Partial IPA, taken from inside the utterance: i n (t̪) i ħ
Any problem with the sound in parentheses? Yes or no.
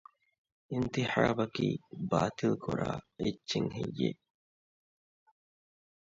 no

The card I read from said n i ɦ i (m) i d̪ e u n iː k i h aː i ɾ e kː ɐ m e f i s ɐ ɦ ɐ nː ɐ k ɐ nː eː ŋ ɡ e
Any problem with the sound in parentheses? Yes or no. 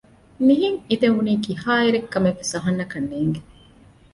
yes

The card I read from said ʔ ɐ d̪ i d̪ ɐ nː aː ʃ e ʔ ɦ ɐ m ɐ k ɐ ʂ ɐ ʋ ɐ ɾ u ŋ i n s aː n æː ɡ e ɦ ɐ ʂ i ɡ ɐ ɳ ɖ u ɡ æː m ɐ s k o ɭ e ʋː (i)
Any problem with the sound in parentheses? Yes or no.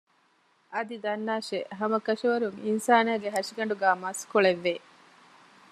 yes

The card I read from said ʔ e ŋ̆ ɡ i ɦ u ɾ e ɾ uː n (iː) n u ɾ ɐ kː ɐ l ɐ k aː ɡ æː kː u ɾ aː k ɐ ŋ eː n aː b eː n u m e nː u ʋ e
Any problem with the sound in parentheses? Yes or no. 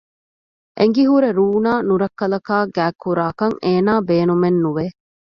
yes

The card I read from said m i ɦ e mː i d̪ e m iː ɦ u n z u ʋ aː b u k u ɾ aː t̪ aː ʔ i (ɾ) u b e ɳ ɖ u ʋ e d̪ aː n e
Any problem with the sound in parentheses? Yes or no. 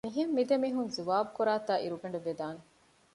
no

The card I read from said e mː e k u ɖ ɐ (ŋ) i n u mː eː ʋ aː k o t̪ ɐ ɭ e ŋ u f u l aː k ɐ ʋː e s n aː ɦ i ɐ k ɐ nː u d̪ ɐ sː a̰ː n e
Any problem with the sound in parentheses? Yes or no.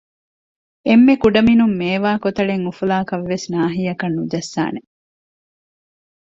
yes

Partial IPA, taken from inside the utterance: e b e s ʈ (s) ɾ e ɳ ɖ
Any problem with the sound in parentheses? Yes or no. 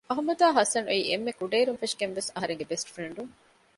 yes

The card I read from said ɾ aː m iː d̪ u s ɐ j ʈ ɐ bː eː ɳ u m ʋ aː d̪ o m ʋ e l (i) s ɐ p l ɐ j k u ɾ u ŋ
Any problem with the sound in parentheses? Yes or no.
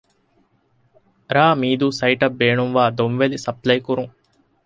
no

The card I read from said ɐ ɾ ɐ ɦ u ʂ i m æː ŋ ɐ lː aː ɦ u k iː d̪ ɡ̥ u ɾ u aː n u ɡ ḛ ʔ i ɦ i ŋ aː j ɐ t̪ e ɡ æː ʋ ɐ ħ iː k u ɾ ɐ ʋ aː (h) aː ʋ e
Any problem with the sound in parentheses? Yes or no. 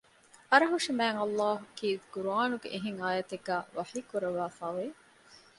yes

